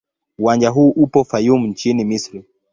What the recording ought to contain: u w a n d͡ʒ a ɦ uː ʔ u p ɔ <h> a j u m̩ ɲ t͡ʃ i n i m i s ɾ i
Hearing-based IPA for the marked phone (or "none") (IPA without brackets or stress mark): f